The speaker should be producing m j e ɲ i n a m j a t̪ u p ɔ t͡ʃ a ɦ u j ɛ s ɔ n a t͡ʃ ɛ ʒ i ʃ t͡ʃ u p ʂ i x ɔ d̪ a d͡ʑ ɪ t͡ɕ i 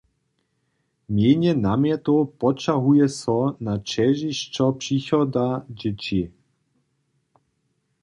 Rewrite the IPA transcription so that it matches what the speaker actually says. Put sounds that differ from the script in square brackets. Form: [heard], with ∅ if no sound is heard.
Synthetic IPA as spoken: m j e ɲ [ɛ] n a m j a t̪ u p ɔ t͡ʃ a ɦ u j ɛ s ɔ n a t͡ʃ ɛ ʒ i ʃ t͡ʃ [ɔ] p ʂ i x ɔ d̪ a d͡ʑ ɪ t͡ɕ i